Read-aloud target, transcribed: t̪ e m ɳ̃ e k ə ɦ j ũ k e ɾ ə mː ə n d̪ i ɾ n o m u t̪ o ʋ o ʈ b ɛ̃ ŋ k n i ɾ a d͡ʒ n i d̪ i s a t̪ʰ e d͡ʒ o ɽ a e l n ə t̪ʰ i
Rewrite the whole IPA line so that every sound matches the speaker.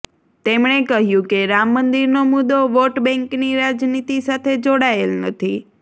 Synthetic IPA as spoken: t̪ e m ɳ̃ e k ə ɦ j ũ k e ɾ a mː ə n d̪ i ɾ n o m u d̪ o ʋ o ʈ b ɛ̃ ŋ k n i ɾ a d͡ʒ n i t̪ i s a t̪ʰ e d͡ʒ o ɽ a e l n ə t̪ʰ i